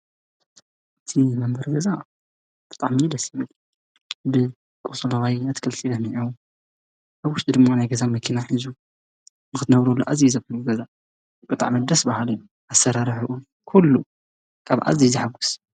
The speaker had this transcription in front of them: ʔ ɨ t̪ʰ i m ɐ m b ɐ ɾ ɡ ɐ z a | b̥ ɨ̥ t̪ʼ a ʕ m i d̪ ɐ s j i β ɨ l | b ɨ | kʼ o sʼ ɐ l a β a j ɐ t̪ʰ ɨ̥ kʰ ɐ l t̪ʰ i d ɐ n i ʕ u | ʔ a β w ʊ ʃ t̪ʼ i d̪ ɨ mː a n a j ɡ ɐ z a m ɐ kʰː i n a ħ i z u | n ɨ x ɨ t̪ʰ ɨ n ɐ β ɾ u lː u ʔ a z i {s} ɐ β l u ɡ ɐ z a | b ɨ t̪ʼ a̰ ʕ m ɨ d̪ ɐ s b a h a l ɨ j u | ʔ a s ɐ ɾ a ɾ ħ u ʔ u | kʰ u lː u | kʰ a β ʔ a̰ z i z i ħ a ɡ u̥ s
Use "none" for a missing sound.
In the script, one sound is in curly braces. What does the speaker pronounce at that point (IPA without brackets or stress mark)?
z